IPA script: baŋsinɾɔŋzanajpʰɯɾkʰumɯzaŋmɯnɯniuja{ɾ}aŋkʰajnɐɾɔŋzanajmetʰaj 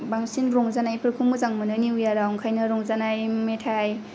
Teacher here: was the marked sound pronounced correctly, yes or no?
yes